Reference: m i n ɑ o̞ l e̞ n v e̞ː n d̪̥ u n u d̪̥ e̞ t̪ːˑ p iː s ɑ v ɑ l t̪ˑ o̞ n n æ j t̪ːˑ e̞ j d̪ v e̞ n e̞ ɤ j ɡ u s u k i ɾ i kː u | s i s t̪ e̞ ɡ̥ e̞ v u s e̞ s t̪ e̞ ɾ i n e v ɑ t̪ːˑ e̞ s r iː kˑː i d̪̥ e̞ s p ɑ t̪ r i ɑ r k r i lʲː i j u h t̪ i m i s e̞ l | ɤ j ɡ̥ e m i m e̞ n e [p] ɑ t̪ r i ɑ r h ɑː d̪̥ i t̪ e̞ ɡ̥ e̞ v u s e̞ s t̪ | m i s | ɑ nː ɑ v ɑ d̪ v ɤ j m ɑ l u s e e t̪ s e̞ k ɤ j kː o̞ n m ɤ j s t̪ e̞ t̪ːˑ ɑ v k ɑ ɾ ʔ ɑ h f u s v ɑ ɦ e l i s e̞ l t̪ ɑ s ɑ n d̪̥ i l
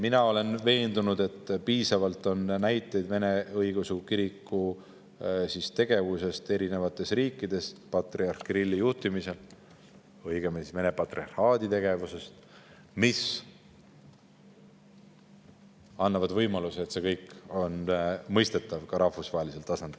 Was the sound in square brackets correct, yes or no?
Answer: yes